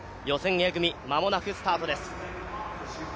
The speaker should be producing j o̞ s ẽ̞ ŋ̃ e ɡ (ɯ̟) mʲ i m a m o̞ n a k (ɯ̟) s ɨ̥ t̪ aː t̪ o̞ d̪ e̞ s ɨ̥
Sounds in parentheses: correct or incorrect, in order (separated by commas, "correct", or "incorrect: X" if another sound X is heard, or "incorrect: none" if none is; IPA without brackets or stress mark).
correct, correct